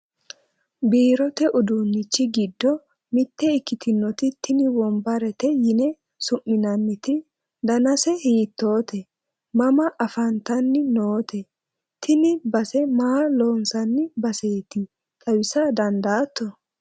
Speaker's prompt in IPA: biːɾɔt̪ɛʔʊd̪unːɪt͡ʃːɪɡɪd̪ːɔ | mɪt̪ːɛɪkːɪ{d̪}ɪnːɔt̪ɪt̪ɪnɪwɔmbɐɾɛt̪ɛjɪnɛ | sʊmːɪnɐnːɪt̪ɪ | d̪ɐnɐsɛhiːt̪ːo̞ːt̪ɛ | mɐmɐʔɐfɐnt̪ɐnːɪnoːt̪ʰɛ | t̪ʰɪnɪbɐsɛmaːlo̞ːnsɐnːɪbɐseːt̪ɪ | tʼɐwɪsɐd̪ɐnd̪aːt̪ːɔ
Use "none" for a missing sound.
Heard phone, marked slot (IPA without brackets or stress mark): t̪